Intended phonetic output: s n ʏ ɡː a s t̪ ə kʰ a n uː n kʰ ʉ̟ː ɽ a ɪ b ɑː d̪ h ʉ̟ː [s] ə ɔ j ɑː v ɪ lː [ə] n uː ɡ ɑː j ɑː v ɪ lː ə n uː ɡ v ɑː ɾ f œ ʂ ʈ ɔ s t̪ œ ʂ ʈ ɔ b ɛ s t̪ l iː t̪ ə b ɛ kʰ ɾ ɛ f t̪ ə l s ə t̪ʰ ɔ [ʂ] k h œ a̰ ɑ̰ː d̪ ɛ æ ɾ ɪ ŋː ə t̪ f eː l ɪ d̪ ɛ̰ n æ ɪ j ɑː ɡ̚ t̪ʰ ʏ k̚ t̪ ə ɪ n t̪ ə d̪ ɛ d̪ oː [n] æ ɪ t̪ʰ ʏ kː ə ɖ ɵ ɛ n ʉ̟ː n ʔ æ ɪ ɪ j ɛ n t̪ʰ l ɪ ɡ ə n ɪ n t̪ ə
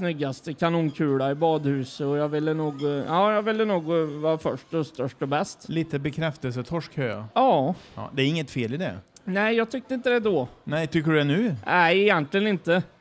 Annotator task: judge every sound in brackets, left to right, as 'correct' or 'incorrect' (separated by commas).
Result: correct, correct, correct, correct